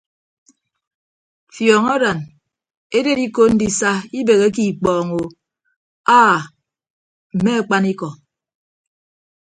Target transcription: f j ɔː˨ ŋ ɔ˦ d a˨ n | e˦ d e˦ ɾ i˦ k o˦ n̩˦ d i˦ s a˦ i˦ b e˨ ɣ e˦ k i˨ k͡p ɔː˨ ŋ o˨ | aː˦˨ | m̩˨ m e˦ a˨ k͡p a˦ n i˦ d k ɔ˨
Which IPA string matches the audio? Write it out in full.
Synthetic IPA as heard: f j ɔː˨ ŋ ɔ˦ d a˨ n | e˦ d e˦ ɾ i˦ k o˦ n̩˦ d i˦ s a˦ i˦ b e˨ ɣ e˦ k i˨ k͡p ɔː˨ ŋ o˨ | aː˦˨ | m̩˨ m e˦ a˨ k͡p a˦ n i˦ k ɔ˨